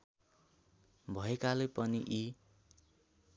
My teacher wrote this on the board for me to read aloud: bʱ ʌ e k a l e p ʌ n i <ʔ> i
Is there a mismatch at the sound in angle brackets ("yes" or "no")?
no